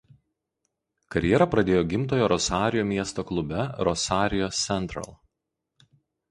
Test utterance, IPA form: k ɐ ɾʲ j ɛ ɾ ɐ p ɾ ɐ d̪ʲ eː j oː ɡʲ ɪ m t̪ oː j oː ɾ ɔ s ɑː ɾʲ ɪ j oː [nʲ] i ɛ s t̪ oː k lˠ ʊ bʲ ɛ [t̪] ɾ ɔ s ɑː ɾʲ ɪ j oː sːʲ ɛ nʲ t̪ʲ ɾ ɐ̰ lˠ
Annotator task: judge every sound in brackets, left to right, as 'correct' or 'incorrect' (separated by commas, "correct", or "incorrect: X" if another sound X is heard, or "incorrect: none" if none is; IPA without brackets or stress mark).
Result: incorrect: mʲ, incorrect: none